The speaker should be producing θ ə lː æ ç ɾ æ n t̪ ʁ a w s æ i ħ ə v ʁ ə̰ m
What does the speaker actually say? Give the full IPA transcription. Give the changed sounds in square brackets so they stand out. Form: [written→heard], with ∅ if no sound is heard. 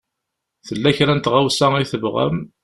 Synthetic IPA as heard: θ ə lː æ ç ɾ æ n t̪ ʁ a w s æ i [ħ→θ] ə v ʁ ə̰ m